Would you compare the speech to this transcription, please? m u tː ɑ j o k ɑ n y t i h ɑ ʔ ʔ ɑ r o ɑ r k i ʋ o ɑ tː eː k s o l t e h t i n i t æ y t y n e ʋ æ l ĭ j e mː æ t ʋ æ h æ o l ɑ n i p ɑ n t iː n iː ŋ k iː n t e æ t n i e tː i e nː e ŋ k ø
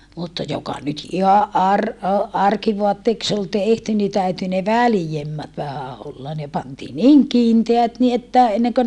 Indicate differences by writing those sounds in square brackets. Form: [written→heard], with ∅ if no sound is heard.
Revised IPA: m u tː ɑ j o k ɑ n y t i h ɑ ʔ ʔ ɑ r o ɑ r k i ʋ o ɑ tː eː k s o l t e h t [i→y] n i t æ y t y n e ʋ æ l ĭ j e mː æ t ʋ æ h æ o [l→lː] ɑ n [i→e] p ɑ n t iː n iː ŋ k iː n t e æ t n i e tː [i→æ] e nː e ŋ k ø

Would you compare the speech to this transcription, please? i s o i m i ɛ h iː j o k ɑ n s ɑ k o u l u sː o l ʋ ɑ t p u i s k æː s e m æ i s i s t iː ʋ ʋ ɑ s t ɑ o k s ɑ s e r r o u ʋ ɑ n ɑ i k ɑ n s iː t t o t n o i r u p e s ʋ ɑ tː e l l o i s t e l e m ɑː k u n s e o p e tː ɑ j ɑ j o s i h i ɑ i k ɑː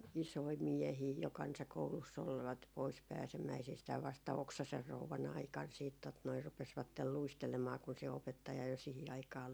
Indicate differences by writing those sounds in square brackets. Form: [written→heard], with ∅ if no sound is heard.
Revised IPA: i s o i m i ɛ h iː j o k ɑ n s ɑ k o u l u sː o l ʋ ɑ t p [u→o] i s [k→p] æː s e m æ i s i s t [iː→æː] ʋ ʋ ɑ s t ɑ o k s ɑ s e r r o u ʋ ɑ n ɑ i k ɑ n s iː t t o t n o i r u p e s ʋ ɑ tː e l l [o→u] i s t e l e m ɑː k u n s e o p e tː ɑ j ɑ j o s i h i ɑ i k ɑː

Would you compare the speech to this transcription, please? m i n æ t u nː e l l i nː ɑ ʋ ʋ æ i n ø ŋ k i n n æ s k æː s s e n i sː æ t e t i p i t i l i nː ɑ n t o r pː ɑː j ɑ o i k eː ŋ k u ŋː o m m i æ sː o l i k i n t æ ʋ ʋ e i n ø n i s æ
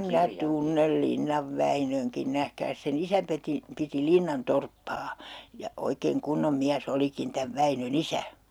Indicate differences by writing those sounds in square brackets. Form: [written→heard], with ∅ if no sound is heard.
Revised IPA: m i n æ t u nː e l l i nː ɑ ʋ ʋ æ i n ø ŋ k i n n æ [s→h] k æː s s e n i [sː→s] æ [t→p] e t i p i t i l i nː ɑ n t o r pː ɑː j ɑ o i k eː ŋ k u [ŋː→nː] o m m i æ sː o l i k i n t æ ʋ ʋ [e→æ] i n ø n i s æ

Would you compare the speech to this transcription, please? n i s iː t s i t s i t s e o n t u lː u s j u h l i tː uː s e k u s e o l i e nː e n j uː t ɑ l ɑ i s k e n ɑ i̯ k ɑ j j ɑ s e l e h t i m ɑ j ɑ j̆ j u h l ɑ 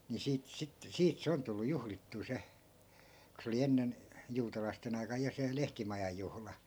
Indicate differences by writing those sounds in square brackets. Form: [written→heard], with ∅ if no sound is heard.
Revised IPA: n i s iː t s i t s [i→iː] t s e o n t u lː u [s→∅] j u h l i tː uː s e k u s e o l i e nː e n j uː t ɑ l ɑ i s [k→t] e n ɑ i̯ k ɑ j j ɑ s e l e h t i m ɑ j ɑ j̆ j u h l ɑ

